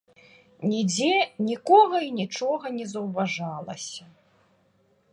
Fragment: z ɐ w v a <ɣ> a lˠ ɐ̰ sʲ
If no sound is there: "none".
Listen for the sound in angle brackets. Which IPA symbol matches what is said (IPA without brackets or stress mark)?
ʐ